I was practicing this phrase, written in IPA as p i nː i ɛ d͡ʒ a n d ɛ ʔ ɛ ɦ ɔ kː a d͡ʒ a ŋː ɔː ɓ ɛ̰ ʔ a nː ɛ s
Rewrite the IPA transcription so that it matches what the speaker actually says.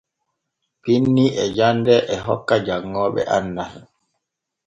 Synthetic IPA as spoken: p i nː i ɛ d͡ʒ a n d ɛ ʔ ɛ ɦ ɔ kː a d͡ʒ a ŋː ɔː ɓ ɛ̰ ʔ a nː a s